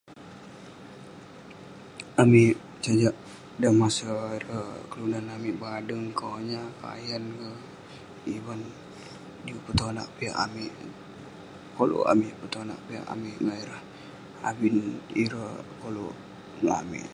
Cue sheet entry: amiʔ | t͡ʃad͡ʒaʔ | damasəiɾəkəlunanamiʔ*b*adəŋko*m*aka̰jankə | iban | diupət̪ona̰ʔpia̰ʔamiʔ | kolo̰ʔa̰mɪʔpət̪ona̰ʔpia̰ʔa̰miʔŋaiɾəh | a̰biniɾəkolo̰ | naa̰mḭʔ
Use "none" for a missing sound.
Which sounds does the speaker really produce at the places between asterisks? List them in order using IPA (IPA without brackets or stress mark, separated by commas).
b, ɲ